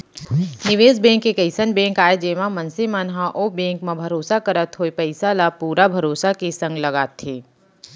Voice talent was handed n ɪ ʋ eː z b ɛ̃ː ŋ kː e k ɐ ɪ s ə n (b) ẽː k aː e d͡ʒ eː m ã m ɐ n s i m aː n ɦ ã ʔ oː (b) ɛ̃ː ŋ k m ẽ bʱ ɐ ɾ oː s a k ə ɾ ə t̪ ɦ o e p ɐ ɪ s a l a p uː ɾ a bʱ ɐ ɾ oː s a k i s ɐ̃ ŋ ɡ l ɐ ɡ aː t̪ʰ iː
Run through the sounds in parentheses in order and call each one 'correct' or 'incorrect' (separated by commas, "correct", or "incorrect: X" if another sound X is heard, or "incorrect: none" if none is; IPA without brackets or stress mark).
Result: correct, correct